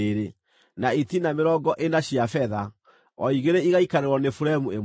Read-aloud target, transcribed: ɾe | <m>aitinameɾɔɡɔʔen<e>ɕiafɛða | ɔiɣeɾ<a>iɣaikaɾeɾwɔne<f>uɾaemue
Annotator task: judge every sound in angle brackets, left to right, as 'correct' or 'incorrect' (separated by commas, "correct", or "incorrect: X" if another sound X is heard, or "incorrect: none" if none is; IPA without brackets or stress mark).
incorrect: n, incorrect: a, incorrect: e, correct